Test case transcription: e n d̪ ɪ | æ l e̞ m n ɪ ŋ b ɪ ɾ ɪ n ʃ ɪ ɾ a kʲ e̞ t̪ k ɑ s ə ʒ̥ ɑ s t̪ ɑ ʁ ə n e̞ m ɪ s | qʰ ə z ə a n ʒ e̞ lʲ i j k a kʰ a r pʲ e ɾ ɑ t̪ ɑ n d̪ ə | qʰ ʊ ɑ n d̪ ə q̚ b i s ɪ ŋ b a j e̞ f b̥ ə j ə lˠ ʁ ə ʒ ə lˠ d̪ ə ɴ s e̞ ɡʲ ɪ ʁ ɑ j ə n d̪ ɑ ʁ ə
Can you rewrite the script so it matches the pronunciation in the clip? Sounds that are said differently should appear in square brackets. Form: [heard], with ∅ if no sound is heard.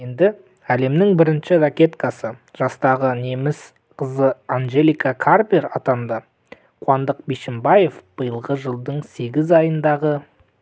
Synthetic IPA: e n d̪ ɪ | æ l e̞ m n ɪ ŋ b ɪ ɾ ɪ n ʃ ɪ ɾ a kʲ e̞ t̪ k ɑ s ə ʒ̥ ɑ s t̪ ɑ ʁ ə n e̞ m ɪ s | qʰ ə z ə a n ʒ e̞ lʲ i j k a kʰ a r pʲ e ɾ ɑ t̪ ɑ n d̪ ə | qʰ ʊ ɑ n d̪ ə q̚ b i [ʃ] ɪ [m] b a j e̞ f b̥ ə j ə lˠ ʁ ə ʒ ə lˠ d̪ ə ɴ s e̞ ɡʲ ɪ [z] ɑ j ə n d̪ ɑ ʁ ə